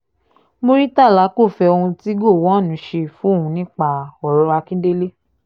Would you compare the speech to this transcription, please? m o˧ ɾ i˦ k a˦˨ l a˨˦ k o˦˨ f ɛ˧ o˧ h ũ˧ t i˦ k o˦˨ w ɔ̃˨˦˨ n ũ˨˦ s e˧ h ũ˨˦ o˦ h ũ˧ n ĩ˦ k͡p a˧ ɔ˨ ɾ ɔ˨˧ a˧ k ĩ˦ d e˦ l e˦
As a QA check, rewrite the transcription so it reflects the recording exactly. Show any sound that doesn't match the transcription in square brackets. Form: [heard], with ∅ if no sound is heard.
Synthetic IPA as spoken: m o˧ ɾ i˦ [t] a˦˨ l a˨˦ k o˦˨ f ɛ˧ o˧ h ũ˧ t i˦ [ɡ] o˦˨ w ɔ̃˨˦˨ n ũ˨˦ [ʃ] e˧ [f] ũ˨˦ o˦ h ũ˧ n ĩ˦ k͡p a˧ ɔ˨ ɾ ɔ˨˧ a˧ k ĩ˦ d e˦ l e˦